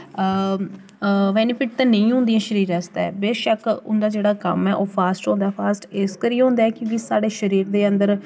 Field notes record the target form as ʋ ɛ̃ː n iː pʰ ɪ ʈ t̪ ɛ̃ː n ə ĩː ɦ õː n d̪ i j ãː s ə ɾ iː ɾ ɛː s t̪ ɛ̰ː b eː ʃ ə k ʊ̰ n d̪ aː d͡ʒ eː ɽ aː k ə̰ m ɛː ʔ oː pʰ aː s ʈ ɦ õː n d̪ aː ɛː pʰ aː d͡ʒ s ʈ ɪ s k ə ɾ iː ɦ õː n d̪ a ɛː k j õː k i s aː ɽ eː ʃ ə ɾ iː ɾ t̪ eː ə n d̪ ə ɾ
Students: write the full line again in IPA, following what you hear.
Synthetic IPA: ʋ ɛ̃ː n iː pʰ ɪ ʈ t̪ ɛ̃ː n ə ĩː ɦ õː n d̪ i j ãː ʃ ə ɾ iː ɾ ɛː s t̪ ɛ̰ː b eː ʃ ə k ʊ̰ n d̪ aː d͡ʒ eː ɽ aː k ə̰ m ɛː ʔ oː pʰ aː s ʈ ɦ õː n d̪ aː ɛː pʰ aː s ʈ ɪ s k ə ɾ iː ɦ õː n d̪ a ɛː k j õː k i s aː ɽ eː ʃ ə ɾ iː ɾ d̪ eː ə n d̪ ə ɾ